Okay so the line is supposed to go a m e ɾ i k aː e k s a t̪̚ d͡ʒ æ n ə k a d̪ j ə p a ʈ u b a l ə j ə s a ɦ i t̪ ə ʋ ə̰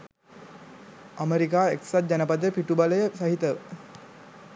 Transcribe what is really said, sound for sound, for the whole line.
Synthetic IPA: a m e ɾ i k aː e k s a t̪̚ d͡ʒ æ n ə p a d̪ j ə p i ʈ u b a l ə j ə s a ɦ i t̪ ə ʋ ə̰